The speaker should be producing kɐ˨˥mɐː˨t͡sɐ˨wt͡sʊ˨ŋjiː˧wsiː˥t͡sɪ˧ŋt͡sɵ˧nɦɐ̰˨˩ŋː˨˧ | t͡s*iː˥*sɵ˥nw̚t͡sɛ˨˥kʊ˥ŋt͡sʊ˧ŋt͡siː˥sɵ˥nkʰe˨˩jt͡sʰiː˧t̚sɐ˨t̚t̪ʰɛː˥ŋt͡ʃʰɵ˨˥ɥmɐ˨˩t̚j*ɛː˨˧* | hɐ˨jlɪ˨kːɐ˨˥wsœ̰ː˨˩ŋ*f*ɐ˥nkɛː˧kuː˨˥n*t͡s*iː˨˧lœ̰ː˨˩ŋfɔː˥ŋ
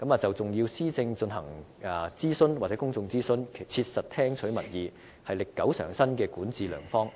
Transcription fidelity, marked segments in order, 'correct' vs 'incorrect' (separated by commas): correct, incorrect, incorrect, correct